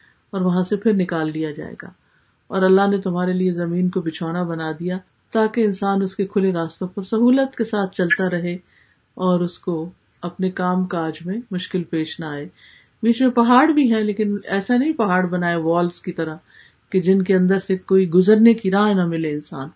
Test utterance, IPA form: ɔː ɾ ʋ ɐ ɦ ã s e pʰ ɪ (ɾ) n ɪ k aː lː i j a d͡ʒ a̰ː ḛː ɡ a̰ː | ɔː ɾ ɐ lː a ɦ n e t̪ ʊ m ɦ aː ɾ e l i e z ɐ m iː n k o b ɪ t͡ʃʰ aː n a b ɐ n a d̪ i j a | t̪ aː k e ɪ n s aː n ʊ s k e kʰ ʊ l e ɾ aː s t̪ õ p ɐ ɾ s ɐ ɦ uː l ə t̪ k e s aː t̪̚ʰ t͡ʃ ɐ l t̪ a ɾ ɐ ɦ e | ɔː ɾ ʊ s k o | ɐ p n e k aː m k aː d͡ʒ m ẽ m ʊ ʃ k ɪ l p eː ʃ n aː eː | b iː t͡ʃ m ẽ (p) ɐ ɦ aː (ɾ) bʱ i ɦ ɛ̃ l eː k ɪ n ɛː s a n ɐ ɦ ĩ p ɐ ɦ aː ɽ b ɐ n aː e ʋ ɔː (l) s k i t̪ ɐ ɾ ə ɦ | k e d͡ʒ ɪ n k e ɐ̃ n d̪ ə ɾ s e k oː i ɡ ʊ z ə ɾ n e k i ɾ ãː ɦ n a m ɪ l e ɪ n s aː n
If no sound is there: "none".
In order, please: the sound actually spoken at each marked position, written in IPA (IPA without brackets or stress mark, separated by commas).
ɾ, p, ɽ, l